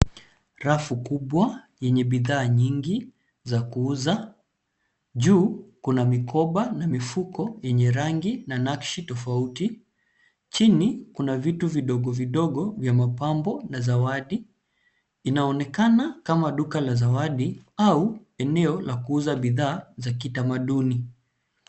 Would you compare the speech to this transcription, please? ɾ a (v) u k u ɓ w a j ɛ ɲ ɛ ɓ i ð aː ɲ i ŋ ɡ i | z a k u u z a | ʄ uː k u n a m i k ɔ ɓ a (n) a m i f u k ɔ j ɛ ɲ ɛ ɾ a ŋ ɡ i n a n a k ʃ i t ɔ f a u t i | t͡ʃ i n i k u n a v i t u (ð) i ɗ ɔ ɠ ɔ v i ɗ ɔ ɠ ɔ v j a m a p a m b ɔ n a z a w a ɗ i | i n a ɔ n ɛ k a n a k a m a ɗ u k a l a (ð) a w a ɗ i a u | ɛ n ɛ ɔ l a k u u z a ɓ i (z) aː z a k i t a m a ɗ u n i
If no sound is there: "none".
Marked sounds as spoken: f, n, v, z, ð

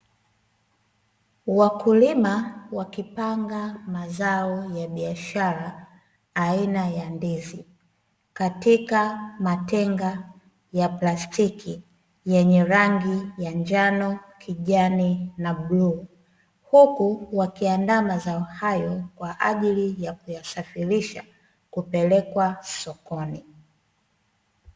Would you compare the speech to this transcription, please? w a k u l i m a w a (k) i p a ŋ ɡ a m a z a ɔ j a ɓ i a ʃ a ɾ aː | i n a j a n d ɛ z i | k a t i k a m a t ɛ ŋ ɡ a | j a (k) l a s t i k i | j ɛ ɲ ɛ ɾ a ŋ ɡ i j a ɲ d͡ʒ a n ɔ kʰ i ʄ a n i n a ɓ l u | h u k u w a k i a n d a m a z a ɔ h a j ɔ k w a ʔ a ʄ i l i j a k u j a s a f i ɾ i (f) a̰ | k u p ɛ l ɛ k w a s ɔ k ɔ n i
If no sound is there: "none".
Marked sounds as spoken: k, p, ʃ

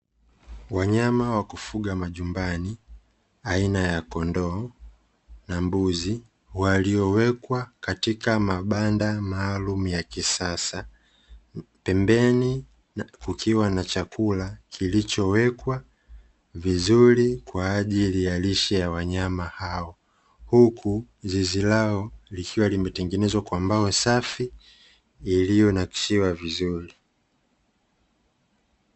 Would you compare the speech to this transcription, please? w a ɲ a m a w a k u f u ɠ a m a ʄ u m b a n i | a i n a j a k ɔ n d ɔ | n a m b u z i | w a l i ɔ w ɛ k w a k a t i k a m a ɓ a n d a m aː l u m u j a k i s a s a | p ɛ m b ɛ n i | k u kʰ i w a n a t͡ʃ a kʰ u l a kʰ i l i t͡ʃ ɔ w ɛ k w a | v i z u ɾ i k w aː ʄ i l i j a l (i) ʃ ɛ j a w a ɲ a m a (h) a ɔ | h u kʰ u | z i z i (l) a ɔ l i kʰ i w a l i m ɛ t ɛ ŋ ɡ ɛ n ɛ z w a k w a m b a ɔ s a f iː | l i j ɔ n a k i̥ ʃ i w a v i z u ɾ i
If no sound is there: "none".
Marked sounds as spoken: i, h, l

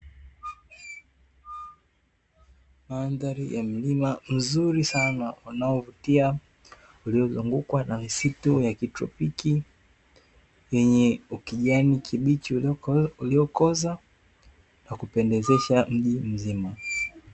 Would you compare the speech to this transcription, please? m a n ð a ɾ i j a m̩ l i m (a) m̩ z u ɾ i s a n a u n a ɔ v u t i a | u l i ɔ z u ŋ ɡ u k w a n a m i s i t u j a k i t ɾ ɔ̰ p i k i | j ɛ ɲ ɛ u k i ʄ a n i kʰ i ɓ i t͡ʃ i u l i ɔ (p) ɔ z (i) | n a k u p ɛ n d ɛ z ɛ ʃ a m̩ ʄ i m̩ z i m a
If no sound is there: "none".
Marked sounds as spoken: a, k, a

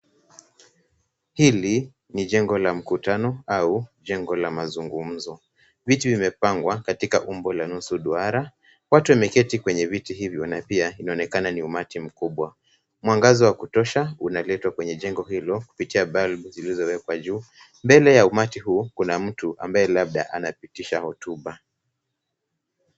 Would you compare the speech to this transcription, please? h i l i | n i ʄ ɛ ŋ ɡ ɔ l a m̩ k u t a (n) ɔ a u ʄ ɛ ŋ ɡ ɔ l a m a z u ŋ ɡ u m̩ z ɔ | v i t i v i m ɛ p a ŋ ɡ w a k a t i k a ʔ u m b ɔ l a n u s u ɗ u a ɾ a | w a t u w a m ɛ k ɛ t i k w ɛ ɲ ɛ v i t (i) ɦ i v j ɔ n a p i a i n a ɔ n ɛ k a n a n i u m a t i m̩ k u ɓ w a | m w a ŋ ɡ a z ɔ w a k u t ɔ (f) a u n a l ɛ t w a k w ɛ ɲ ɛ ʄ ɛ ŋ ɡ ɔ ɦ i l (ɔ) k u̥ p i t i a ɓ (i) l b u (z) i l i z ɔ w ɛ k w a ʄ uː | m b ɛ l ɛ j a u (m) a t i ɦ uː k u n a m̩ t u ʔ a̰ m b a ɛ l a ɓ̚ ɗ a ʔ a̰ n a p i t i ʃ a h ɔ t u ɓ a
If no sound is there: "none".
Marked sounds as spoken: n, i, ʃ, ɔ, a, z, m

